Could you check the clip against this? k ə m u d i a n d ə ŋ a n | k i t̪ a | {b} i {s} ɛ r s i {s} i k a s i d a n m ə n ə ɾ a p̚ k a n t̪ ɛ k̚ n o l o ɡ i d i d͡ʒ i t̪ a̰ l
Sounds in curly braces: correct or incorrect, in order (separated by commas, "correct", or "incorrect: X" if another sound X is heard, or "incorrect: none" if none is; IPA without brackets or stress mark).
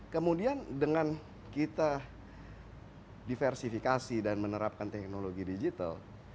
incorrect: d, incorrect: f, incorrect: f